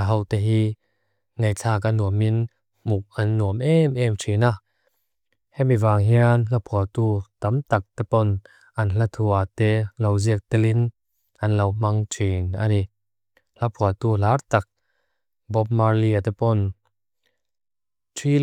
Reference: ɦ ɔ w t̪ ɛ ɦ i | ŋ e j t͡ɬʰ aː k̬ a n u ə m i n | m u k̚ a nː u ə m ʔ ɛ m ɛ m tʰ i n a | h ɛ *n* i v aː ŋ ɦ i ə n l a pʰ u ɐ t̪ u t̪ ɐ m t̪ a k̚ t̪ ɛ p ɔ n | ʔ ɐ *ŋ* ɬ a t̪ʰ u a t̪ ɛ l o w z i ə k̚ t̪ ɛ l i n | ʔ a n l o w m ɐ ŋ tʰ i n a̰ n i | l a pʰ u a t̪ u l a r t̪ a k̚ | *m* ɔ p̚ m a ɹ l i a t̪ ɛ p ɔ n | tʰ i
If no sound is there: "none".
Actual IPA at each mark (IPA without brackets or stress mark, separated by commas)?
m, n, b